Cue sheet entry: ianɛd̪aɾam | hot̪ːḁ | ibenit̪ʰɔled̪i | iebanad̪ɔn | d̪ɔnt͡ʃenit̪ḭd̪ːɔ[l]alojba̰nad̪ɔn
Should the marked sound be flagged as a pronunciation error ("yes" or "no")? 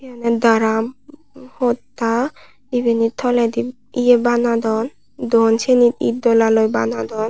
no